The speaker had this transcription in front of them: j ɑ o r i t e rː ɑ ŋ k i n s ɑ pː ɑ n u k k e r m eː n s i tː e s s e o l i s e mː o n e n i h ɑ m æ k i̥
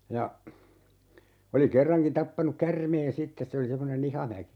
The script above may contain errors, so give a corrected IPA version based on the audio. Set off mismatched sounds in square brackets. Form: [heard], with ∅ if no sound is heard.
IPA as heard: j ɑ o [l] i [k] e rː ɑ ŋ k i n [t] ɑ pː ɑ n u k k [æ] r m eː n s i tː e s s e o l i s e mː o n e n i h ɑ m æ k i̥